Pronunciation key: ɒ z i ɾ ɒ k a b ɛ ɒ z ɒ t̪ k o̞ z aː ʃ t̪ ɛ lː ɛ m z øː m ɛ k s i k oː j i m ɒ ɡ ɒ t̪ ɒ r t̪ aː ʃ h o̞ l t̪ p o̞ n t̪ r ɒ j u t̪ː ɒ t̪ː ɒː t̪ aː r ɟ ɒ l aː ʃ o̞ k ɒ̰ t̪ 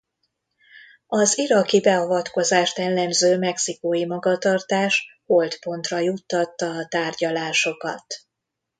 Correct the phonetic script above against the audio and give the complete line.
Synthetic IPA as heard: ɒ z i ɾ ɒ k i b ɛ ɒ v ɒ t̪ k o̞ z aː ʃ t̪ ɛ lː ɛ m z øː m ɛ k s i k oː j i m ɒ ɡ ɒ t̪ ɒ r t̪ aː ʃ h o̞ l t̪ p o̞ n t̪ r ɒ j u t̪ː ɒ t̪ː ɒː t̪ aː r ɟ ɒ l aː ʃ o̞ k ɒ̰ t̪